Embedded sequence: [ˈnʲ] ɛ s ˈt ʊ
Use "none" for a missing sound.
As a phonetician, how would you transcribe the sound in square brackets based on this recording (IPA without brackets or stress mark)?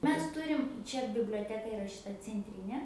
mʲ